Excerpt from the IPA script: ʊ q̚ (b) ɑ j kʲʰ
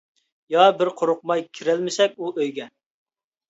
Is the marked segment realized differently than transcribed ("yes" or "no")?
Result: yes